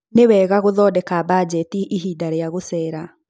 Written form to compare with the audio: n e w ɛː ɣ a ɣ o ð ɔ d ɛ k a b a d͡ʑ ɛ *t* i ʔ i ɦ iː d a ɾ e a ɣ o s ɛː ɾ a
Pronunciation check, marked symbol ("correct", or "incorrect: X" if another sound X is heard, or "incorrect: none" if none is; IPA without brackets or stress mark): correct